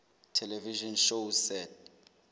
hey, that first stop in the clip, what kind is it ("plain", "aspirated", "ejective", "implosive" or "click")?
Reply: aspirated